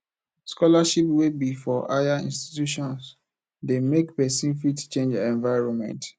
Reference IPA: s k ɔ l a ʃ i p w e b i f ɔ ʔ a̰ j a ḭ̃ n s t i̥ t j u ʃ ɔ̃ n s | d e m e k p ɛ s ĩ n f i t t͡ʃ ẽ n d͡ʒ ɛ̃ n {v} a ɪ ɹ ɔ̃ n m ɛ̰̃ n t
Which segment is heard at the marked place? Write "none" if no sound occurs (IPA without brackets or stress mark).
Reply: v